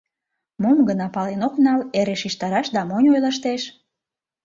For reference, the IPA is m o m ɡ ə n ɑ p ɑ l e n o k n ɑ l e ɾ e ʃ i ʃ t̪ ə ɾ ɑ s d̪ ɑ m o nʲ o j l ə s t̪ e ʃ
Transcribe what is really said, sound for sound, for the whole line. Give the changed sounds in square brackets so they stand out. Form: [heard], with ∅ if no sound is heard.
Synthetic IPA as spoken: m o m ɡ ə n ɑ p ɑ l e n o k n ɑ l e ɾ e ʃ i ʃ t̪ [ɑ] ɾ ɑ [ʃ] d̪ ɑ m o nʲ o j l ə [ʃ] t̪ e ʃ